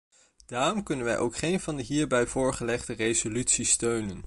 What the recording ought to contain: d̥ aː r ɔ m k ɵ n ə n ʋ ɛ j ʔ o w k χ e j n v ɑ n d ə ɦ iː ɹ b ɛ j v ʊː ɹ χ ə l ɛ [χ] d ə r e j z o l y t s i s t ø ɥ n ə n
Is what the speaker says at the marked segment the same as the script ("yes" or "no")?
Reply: yes